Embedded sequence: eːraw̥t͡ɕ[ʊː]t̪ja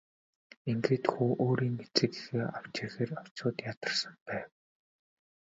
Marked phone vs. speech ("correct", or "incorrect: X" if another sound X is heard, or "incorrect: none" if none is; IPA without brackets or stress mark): correct